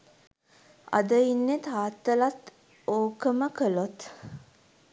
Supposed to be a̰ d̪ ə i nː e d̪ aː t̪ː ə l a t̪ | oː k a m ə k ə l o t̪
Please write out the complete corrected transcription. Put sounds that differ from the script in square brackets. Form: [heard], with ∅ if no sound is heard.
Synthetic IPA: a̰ d̪ ə i nː e [t̪] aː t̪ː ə l a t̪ | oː k [ə] m ə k ə l o t̪